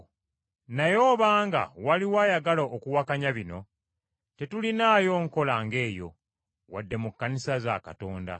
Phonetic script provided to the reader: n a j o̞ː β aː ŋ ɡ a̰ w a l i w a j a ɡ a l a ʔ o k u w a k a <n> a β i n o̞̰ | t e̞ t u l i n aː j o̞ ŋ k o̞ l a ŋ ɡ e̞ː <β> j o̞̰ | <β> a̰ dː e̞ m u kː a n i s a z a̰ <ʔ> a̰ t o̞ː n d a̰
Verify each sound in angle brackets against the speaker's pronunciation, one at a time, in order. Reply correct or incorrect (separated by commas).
incorrect, incorrect, incorrect, incorrect